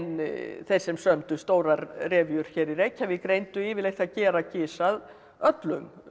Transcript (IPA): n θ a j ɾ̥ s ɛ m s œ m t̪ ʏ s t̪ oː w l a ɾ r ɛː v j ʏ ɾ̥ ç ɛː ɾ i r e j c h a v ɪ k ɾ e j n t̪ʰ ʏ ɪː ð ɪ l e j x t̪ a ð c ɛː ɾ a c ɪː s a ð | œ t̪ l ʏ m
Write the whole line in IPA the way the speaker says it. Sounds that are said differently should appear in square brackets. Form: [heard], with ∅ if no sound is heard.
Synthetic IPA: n θ [e] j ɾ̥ s ɛ m s œ m t̪ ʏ s t̪ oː w [ɾ] a ɾ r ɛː v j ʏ ɾ̥ ç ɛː ɾ i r e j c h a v ɪ k ɾ e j n [t̪] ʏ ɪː [v] ɪ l e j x t̪ a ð c ɛː ɾ a c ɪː s a ð | œ t̪ l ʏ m